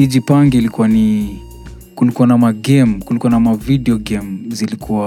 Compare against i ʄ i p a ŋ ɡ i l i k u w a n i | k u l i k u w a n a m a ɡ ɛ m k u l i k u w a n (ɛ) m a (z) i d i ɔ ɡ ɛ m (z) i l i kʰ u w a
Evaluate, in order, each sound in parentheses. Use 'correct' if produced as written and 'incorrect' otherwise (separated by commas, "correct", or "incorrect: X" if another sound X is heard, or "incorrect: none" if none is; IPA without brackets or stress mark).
incorrect: a, incorrect: v, correct